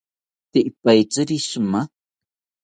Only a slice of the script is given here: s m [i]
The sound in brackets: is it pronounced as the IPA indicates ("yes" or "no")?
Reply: no